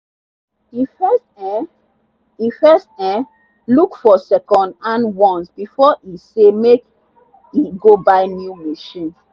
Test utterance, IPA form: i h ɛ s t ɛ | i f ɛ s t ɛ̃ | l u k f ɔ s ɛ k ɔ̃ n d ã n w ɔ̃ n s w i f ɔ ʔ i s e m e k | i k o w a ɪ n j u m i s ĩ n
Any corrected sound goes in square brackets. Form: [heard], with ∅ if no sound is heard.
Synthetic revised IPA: i [f] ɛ s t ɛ | i f ɛ s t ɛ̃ | l u k f ɔ s ɛ k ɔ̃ n d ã n w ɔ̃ n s [b] i f ɔ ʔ i s e m e k | i [ɡ] o [b] a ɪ n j u m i [ʃ] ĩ n

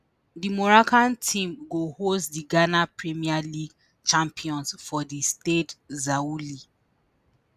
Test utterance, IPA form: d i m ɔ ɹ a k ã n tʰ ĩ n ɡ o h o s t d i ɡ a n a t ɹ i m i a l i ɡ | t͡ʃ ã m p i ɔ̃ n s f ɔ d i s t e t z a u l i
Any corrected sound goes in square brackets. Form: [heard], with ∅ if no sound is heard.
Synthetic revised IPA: d i m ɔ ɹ a k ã n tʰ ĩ [m] ɡ o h o s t d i ɡ a n a [p] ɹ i m i a l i ɡ | t͡ʃ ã m p i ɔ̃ n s f ɔ d i s t e t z a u l i

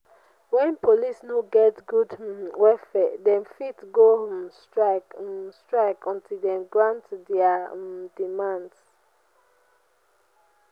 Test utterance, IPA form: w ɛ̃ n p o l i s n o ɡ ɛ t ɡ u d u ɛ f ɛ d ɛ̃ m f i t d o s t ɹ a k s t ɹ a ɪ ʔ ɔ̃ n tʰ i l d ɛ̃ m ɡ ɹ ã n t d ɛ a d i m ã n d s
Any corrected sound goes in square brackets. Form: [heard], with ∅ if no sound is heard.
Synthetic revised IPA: w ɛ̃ n p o l i s n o ɡ ɛ t ɡ u d [w] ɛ f ɛ d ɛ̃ m f i t [ɡ] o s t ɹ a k s t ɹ a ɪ [k] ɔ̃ n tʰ i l d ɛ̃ m ɡ ɹ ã n t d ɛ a d i m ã n d s

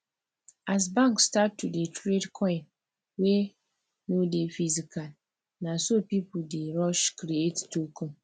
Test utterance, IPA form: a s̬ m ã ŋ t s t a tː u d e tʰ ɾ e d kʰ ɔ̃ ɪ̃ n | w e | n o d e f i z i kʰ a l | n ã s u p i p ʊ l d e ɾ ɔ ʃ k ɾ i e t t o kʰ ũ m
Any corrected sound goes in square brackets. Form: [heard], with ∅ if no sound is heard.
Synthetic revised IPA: a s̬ [b] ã ŋ [k] s t a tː u d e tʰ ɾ e d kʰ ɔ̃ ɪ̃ n | w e | n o d e f i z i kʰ a l | n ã s [o] p i p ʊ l d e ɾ ɔ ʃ k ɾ i e t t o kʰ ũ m

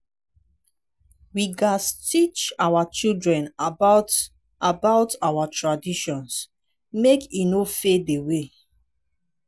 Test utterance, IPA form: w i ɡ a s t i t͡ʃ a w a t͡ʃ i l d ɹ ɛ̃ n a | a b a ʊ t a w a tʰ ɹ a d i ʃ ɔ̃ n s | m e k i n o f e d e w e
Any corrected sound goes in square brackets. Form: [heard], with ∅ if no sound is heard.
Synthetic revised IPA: w i ɡ a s t i t͡ʃ a w a t͡ʃ i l d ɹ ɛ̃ n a | a b a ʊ t a w a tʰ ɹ a d i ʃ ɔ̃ n s | m e k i n o f e d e w e

